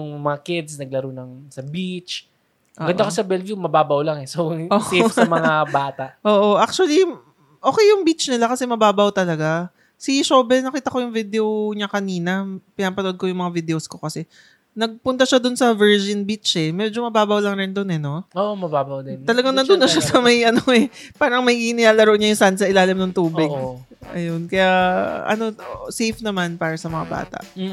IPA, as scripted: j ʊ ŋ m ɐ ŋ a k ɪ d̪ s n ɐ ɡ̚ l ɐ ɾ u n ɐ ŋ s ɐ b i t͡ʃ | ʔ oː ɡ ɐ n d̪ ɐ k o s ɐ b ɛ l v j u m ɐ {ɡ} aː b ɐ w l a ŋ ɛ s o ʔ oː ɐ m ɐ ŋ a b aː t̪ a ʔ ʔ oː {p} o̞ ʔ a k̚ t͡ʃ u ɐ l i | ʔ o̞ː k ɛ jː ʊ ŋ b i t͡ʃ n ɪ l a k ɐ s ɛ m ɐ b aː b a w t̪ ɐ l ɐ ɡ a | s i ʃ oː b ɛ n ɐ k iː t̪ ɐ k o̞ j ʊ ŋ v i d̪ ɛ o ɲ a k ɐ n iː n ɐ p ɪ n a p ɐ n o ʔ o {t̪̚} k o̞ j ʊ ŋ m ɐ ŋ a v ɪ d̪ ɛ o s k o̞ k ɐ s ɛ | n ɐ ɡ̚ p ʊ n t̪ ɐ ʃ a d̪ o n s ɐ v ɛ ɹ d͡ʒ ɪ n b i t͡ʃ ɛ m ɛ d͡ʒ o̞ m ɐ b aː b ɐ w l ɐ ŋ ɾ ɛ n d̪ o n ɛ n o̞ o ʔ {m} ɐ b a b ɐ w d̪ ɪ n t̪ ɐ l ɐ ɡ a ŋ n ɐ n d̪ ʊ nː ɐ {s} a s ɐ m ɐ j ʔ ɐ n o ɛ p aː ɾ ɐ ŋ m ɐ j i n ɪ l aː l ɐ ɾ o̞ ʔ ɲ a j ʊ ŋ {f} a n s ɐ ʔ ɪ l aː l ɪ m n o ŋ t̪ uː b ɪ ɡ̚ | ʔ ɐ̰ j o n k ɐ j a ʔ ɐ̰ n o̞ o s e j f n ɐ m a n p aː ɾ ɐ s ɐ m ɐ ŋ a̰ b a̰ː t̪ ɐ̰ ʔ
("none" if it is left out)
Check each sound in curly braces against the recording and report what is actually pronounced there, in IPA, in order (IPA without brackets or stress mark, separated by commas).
b, ʔ, d̪̚, m, ʃ, s